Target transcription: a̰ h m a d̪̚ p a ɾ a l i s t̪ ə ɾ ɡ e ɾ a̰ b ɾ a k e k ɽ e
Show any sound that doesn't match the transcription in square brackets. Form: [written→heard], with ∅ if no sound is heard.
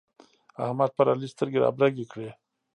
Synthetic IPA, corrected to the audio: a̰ h m a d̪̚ p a ɾ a l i s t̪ ə ɾ ɡ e ɾ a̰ b ɾ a [k→ɡ] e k ɽ e